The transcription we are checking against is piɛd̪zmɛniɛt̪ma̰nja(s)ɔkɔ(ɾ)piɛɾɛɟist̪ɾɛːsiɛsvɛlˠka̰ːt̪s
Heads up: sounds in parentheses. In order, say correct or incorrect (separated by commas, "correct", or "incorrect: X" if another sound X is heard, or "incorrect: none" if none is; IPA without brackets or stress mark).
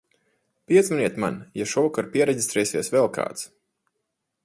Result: incorrect: ʃ, correct